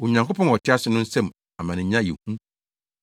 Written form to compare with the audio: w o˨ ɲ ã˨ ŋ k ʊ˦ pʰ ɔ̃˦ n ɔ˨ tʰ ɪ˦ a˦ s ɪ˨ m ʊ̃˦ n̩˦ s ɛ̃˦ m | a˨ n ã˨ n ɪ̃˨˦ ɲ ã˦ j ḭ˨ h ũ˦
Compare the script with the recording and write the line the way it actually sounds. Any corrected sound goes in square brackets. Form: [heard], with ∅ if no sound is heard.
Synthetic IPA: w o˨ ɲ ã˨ ŋ k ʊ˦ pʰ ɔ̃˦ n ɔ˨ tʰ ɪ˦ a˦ s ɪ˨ [n] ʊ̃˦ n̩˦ s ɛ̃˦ m | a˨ [m] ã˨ n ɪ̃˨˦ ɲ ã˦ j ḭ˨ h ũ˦